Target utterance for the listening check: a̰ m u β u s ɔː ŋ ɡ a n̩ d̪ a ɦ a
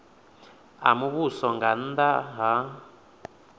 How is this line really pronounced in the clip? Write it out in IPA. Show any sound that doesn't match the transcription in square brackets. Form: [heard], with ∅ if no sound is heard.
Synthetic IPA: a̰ m u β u s [ɔ] ŋ ɡ a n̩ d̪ a ɦ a